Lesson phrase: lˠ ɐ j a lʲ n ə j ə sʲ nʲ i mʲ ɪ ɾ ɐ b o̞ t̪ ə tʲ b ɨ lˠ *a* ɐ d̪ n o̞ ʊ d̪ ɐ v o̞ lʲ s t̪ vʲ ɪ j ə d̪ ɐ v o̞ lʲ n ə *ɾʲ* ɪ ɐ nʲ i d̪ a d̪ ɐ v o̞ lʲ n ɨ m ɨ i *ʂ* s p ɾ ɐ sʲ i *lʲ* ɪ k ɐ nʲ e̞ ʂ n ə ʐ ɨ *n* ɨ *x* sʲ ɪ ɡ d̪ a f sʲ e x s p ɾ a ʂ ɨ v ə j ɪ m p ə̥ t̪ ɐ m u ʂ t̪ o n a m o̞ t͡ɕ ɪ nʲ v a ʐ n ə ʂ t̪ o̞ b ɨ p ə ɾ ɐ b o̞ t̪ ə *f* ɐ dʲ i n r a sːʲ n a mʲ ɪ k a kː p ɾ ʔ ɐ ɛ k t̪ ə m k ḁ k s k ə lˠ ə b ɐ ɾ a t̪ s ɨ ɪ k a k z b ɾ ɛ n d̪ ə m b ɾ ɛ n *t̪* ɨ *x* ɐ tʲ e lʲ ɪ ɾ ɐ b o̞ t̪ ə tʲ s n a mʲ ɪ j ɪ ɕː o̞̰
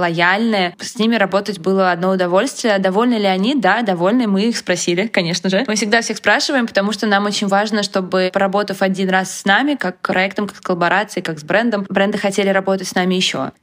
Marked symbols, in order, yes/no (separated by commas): no, no, no, yes, no, no, yes, no, yes